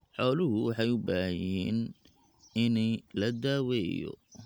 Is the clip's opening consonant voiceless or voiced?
voiceless